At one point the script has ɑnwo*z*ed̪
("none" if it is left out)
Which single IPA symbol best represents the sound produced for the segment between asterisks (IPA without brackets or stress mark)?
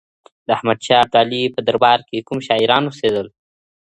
s